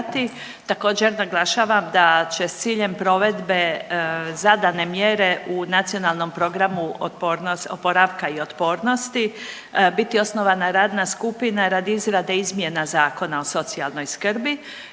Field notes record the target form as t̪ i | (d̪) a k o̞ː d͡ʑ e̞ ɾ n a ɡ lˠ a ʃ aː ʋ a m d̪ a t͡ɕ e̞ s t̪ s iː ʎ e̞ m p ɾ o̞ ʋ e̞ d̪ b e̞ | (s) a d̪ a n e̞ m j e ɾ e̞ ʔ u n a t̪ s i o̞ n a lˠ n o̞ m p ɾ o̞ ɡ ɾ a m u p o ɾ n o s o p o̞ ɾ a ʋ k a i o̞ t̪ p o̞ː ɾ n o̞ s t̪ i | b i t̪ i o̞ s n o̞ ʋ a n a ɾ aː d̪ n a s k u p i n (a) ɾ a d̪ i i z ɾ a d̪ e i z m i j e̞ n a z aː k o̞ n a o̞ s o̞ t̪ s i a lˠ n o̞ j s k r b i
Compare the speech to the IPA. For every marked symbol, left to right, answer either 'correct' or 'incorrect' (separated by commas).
incorrect, incorrect, correct